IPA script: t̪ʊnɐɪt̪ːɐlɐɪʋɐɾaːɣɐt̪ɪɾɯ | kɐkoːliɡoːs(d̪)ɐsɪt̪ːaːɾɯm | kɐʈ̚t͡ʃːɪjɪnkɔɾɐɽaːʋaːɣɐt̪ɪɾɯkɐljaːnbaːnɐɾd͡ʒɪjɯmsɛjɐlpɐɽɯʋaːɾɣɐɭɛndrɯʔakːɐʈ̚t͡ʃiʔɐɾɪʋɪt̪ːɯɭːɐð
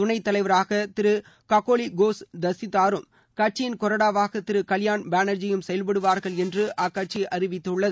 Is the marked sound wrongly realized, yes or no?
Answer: no